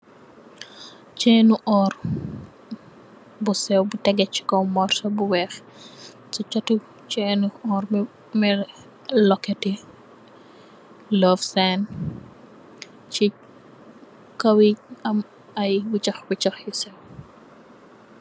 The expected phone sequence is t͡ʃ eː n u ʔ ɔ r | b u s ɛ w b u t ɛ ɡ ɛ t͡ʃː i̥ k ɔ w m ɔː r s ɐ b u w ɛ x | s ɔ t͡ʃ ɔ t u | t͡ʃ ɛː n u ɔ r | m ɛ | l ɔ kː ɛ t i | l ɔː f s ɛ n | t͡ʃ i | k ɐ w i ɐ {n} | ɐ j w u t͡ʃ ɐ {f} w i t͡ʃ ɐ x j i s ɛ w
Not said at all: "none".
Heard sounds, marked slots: m, x

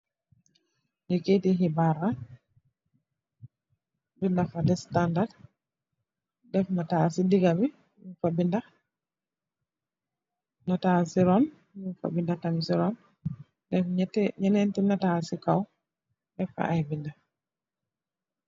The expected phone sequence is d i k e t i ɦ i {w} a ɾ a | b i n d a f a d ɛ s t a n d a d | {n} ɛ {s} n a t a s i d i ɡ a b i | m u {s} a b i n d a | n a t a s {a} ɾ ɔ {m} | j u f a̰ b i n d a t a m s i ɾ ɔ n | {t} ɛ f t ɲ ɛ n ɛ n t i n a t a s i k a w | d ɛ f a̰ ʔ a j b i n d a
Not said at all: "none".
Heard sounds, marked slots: b, d, f, f, i, n, d

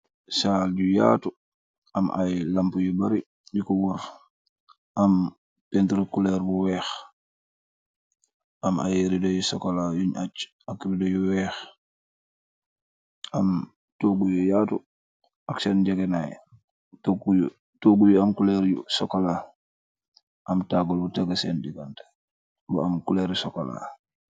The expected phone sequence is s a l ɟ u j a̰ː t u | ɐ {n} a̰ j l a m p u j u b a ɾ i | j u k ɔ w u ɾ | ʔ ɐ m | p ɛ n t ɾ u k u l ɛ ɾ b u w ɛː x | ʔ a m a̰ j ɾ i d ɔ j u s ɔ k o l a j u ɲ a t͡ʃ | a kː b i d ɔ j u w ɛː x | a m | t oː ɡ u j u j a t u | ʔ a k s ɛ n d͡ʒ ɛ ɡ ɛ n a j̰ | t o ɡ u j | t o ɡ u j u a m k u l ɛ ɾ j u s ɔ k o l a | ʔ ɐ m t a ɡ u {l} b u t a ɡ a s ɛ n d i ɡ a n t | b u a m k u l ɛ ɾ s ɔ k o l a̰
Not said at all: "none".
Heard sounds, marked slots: m, l

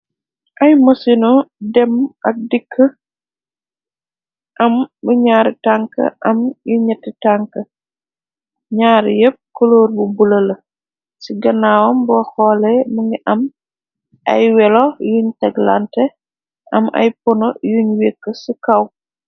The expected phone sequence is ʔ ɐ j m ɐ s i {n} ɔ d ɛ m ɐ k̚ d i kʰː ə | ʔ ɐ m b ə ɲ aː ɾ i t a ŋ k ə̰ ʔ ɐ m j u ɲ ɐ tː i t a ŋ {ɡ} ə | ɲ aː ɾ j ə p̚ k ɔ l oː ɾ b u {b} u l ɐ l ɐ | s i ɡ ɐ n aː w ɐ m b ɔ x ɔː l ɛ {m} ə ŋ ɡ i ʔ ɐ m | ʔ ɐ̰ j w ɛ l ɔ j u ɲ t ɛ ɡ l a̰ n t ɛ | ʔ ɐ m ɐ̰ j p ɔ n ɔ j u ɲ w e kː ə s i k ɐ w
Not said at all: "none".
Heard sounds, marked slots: n, k, b, m

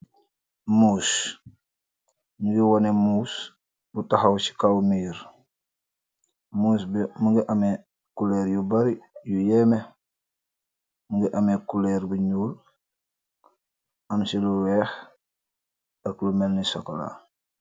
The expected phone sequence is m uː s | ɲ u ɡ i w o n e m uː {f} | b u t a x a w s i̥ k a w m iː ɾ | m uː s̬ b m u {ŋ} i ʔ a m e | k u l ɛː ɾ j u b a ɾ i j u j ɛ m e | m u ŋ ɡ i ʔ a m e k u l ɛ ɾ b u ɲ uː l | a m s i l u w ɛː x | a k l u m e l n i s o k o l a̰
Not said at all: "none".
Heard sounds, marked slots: s, ɡ

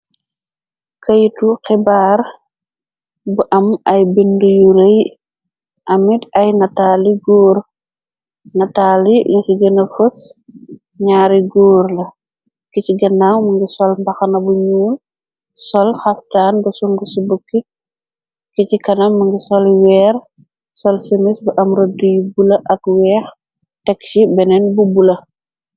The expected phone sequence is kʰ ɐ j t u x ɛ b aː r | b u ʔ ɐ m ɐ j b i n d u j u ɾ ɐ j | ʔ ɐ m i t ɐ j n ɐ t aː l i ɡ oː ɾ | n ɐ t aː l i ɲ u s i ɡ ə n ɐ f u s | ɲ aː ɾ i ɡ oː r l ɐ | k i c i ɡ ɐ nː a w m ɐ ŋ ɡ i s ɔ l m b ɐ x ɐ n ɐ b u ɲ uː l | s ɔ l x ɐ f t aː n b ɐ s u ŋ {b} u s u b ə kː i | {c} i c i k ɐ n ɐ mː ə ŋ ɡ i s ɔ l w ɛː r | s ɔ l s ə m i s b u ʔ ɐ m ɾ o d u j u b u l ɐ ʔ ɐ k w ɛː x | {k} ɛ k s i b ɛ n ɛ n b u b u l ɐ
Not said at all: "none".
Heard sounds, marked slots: ɡ, k, t

